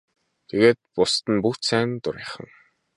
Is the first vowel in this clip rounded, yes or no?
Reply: no